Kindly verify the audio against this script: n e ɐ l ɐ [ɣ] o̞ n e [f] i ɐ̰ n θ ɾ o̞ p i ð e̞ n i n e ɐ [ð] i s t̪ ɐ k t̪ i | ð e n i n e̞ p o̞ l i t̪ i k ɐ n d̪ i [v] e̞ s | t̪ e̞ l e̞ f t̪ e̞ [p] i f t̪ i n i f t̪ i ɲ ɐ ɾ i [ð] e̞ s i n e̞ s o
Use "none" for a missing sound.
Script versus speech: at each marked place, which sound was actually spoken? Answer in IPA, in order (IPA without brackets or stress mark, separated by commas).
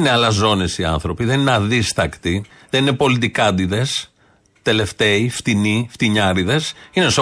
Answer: z, s, ð, ð, none, ð